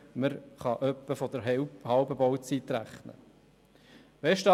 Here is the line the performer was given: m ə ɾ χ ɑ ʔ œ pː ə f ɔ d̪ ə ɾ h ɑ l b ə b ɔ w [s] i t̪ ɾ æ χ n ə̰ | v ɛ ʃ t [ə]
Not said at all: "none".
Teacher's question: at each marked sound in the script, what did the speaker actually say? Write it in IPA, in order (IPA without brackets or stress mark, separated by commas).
t͡s, ɑ